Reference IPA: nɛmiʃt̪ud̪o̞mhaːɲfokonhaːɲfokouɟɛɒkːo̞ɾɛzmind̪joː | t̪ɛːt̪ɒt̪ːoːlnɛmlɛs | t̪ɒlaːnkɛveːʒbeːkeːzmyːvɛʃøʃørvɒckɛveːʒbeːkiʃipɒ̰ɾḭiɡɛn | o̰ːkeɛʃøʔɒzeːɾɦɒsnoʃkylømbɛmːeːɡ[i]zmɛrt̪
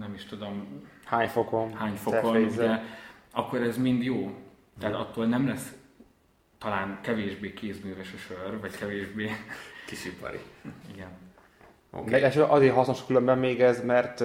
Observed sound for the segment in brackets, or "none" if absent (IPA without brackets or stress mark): ɛ